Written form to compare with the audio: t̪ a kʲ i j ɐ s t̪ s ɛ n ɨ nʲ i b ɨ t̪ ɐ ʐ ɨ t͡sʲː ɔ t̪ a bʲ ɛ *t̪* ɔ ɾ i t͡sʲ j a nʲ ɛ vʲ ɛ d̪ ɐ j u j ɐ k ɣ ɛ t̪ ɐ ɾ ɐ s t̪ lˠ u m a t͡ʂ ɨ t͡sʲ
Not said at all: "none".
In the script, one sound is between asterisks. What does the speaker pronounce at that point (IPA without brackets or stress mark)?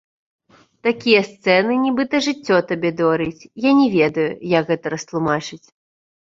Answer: d̪